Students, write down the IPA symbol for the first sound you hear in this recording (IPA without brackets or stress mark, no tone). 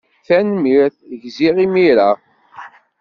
θ